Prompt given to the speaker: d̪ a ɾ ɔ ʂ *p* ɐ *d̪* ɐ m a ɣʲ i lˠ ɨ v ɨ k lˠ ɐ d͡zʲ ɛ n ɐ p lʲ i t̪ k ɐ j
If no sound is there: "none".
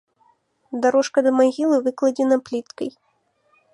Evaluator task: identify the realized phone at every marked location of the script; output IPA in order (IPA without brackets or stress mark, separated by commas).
k, d̪